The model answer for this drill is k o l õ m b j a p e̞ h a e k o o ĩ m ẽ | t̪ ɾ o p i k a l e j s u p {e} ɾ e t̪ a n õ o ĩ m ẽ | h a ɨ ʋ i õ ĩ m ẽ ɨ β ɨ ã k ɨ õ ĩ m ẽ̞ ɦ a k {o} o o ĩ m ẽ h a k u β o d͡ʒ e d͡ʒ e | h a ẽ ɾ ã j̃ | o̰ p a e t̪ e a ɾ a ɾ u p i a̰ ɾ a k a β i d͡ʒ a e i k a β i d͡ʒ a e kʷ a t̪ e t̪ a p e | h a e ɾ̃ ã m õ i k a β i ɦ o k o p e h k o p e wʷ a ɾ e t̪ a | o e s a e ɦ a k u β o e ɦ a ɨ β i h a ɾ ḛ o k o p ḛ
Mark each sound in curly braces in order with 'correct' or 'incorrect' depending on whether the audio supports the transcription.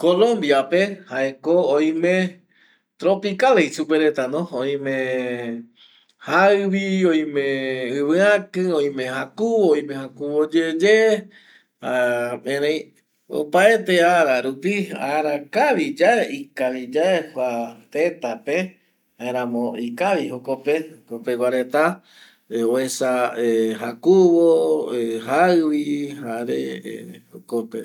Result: correct, incorrect

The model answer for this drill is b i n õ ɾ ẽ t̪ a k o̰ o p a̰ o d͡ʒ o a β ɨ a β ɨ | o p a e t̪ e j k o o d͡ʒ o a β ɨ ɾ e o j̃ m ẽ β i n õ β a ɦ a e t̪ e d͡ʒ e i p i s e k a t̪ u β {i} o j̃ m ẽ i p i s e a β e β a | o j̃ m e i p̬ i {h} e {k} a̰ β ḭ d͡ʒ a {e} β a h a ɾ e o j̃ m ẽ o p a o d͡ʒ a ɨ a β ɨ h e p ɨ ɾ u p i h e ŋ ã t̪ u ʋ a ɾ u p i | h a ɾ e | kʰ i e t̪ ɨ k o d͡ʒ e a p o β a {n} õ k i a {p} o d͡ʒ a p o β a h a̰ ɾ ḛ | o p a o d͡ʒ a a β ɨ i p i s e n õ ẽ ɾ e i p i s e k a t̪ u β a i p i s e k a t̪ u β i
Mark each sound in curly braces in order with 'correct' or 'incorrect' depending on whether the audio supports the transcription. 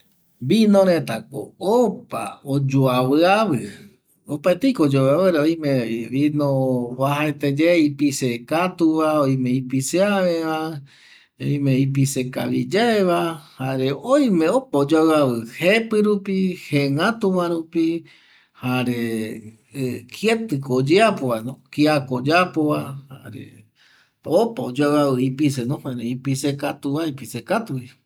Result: incorrect, incorrect, correct, correct, correct, incorrect

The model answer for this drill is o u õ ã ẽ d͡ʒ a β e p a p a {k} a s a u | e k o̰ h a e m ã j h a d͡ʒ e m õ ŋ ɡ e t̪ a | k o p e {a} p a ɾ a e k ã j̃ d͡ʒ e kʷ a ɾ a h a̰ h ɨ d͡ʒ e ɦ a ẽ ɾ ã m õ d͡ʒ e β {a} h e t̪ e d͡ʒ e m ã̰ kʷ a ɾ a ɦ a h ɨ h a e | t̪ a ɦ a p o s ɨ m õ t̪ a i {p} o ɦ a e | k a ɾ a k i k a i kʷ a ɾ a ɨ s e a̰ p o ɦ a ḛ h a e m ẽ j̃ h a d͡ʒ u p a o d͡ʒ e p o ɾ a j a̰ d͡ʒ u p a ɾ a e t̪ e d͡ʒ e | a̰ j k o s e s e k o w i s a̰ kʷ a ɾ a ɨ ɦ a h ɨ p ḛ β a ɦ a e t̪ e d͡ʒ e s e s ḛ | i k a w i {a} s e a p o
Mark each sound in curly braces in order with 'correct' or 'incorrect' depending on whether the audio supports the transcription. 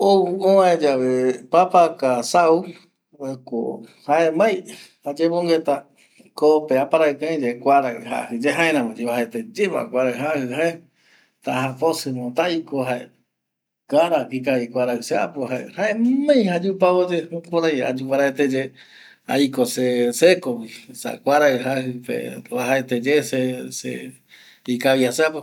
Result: correct, correct, correct, incorrect, correct

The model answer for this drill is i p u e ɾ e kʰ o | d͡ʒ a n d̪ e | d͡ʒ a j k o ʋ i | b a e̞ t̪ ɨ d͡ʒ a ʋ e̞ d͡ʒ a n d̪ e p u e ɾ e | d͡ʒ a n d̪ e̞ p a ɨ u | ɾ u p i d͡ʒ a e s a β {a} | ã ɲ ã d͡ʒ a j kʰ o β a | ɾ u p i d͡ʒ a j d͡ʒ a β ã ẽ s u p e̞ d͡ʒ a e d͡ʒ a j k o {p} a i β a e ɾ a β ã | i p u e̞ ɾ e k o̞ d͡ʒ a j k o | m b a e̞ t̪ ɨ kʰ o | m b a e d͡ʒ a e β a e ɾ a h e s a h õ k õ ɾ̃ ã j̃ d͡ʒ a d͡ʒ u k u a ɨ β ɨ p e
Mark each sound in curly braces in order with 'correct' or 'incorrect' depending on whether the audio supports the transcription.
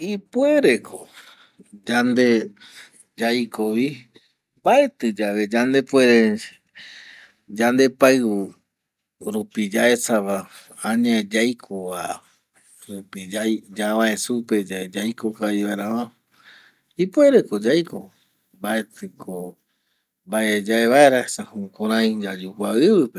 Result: correct, incorrect

